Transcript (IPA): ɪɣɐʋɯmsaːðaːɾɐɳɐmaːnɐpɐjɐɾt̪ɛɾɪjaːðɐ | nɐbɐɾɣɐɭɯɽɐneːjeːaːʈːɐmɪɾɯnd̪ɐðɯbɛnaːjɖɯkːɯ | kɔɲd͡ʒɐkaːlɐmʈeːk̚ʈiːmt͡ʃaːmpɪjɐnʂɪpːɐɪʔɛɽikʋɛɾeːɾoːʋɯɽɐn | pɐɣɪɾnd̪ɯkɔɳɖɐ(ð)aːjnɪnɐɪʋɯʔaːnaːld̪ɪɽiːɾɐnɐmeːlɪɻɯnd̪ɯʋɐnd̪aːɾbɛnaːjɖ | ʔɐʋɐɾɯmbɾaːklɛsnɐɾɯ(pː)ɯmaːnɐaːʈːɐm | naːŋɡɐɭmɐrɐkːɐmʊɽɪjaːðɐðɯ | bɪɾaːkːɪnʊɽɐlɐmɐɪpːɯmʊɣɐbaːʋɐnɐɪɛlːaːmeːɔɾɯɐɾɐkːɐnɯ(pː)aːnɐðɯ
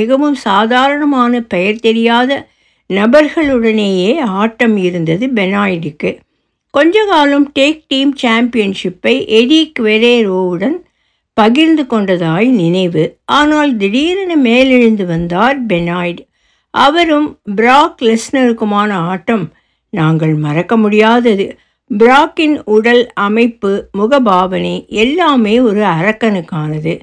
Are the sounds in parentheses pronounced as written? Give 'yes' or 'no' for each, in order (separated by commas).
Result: yes, no, no